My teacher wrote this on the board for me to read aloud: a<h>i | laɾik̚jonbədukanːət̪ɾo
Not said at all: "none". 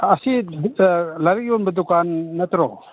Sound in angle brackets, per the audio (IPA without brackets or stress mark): s